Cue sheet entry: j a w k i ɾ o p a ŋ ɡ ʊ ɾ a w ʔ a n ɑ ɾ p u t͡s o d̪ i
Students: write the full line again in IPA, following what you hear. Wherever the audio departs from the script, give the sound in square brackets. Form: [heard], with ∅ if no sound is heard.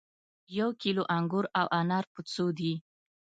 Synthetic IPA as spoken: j a w k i [l] o [ʔ] a ŋ ɡ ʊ ɾ a w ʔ a n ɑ ɾ p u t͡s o d̪ i